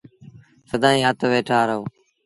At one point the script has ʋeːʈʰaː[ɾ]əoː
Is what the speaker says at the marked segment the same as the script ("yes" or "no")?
yes